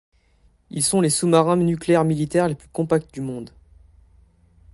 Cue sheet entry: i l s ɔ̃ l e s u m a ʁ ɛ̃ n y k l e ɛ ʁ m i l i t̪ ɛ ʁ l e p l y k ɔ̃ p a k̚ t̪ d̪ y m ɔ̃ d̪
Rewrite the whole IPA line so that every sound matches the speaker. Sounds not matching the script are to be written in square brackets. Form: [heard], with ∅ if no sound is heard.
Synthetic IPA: i l s ɔ̃ l e s u m a ʁ ɛ̃ n y k l e ɛ ʁ m i l i t̪ ɛ ʁ l e p l y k ɔ̃ p a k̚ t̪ d̪ y m ɔ̃ d̪